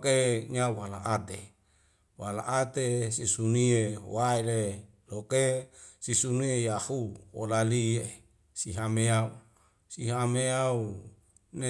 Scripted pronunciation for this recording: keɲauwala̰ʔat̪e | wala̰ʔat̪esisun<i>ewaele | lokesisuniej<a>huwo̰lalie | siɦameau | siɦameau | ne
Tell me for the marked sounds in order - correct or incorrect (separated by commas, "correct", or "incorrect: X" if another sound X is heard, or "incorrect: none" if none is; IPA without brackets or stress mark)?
correct, correct